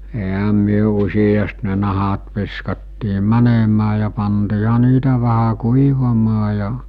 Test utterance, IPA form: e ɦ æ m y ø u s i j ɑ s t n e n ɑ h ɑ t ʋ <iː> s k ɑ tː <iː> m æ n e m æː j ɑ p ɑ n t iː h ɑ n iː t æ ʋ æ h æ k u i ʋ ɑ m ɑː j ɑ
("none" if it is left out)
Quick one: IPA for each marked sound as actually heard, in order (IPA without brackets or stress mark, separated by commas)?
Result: i, iː